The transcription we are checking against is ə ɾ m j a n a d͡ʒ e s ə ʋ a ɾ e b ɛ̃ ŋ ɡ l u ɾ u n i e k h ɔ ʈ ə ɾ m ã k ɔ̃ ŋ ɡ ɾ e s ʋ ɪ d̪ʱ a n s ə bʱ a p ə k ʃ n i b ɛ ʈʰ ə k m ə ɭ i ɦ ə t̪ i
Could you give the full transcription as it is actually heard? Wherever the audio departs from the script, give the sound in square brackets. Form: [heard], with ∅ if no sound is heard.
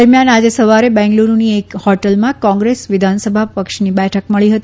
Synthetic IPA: ə ɾ m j a n a d͡ʒ e s ə ʋ a ɾ e b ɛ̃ ŋ ɡ l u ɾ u n i e k h ɔ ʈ ə [l] m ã k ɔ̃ ŋ ɡ ɾ e s ʋ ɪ d̪ʱ a n s ə bʱ a p ə k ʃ n i b ɛ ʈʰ ə k m ə ɭ i ɦ ə t̪ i